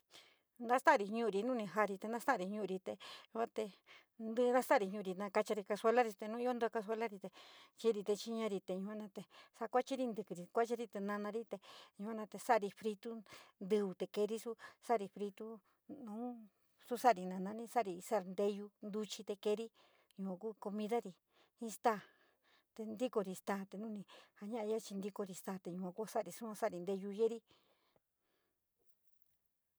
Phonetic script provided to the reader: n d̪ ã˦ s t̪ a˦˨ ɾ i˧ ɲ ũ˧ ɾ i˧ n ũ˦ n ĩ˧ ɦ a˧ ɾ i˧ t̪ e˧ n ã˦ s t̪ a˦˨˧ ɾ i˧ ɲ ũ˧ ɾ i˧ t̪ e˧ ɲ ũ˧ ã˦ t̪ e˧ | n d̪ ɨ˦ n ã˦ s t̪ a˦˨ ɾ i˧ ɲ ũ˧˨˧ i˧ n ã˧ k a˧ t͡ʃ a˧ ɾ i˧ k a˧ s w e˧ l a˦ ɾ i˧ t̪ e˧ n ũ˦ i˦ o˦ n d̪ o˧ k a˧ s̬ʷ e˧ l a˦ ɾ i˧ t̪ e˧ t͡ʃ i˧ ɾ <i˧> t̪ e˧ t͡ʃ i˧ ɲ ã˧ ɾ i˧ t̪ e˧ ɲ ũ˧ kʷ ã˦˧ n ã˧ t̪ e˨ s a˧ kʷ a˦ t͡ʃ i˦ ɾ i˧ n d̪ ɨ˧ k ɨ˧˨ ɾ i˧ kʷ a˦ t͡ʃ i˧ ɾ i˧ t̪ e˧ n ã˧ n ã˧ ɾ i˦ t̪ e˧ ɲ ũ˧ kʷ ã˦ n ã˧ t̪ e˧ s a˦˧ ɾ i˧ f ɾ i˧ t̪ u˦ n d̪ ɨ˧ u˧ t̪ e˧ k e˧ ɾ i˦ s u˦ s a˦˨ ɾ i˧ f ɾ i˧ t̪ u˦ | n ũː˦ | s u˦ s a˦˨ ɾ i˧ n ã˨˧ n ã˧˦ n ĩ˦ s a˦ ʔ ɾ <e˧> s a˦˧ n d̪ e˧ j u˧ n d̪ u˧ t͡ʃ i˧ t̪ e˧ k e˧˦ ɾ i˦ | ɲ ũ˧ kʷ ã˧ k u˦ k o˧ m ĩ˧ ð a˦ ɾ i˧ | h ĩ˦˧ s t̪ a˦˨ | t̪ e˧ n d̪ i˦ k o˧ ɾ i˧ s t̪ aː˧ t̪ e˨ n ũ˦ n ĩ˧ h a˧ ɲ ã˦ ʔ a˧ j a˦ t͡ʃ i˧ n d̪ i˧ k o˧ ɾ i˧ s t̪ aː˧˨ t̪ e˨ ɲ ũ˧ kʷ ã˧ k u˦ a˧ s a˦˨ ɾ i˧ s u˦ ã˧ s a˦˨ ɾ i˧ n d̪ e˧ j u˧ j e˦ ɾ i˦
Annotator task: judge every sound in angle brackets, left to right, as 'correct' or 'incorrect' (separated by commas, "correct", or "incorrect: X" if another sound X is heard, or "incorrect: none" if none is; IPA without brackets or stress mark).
correct, incorrect: i˧